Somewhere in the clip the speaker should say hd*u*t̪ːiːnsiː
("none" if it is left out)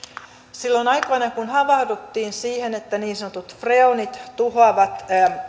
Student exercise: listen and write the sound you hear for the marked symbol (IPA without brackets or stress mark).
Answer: u